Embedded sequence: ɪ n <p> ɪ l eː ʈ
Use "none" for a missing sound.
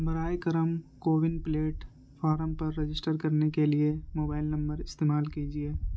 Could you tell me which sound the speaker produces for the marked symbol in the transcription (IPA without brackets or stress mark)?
p